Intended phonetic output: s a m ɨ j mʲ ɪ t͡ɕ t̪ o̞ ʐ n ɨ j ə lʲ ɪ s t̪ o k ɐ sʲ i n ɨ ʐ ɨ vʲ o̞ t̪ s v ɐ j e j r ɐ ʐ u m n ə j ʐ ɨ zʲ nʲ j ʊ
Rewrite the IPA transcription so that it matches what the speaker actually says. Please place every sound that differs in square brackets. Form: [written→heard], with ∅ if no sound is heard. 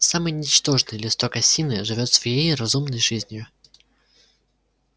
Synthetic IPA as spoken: s a m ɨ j [mʲ→nʲ] ɪ t͡ɕ t̪ o̞ ʐ n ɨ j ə lʲ ɪ s t̪ o k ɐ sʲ i n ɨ ʐ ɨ vʲ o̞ t̪ s v ɐ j e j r ɐ [ʐ→z] u m n ə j ʐ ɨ zʲ nʲ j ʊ